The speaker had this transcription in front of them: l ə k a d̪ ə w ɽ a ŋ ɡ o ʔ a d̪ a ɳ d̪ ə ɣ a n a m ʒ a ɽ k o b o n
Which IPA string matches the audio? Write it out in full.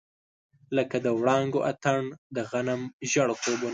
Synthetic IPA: l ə k a d̪ ə w ɽ ɑ ŋ ɡ o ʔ a t̪ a ɳ d̪ ə ɣ a n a m ʒ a ɽ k o b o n